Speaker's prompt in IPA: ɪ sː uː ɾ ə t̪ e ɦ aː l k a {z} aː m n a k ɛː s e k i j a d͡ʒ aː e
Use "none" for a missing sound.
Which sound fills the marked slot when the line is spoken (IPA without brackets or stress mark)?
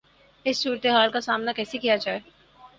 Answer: s